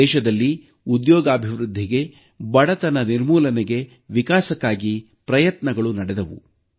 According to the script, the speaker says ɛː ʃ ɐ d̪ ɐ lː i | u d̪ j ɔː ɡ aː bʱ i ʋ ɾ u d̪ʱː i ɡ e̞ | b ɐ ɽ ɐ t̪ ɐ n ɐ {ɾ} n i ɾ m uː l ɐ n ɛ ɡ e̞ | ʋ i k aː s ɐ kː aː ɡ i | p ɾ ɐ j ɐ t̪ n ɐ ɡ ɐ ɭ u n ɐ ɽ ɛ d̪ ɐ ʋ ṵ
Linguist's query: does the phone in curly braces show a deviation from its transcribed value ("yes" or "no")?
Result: yes